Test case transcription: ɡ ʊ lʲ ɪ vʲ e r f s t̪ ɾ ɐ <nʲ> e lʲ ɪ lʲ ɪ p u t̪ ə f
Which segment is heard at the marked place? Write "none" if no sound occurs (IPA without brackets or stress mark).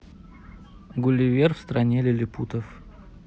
nʲ